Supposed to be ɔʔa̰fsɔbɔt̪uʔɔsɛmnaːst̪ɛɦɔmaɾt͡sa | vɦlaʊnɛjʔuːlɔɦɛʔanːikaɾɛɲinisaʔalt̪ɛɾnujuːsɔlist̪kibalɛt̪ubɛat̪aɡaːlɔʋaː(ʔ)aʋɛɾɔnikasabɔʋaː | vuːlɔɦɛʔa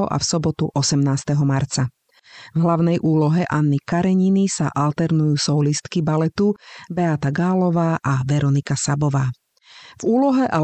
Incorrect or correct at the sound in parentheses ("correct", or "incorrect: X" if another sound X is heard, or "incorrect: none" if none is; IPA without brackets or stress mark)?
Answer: correct